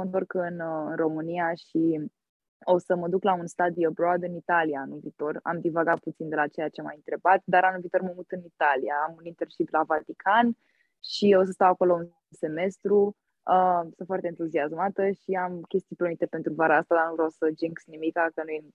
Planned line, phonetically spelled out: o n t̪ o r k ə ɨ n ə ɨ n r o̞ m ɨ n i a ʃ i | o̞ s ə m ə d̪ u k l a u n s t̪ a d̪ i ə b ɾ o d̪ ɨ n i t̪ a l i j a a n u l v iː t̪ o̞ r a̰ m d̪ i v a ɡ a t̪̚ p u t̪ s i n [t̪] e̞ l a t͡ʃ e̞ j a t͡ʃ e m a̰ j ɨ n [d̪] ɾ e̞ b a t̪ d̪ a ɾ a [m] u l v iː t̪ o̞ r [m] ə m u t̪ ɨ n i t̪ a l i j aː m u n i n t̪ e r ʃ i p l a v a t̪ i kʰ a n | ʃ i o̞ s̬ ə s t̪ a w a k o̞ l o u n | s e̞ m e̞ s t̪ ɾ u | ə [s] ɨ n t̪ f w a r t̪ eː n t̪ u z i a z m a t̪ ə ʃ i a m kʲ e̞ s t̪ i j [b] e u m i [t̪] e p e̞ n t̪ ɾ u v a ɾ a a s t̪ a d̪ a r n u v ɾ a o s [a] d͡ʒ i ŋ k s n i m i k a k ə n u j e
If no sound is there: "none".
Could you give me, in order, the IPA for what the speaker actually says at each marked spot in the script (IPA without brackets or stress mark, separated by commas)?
d̪, t̪, n, m, s, p, t̪, ə